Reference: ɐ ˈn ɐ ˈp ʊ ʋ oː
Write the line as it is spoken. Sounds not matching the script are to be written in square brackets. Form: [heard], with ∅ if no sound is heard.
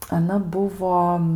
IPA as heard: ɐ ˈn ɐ [ˈb] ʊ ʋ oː